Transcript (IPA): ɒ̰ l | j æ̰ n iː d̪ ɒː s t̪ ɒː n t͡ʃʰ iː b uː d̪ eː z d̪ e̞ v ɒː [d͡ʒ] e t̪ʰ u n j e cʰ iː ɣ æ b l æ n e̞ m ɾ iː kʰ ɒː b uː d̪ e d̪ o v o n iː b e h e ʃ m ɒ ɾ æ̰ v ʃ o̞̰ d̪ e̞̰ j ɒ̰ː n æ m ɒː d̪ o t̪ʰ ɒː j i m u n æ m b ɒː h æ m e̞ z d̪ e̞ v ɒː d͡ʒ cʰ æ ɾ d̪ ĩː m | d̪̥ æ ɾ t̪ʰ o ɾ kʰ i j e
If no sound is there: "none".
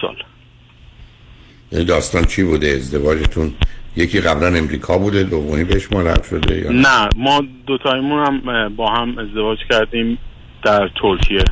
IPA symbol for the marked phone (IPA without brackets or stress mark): d͡ʒ